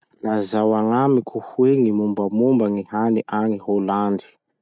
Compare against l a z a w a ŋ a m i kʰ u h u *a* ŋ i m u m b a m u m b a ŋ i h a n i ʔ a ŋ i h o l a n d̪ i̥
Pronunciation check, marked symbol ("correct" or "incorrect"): incorrect